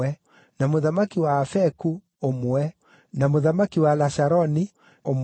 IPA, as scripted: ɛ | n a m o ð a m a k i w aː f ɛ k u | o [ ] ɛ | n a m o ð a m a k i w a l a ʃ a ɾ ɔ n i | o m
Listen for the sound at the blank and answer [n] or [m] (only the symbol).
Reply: m